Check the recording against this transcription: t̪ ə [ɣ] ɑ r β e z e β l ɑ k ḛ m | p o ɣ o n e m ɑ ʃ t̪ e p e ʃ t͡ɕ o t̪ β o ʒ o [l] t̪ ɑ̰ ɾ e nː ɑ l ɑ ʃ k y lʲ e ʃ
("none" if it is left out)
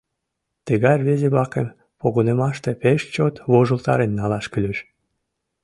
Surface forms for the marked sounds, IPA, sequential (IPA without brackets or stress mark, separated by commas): ɣ, l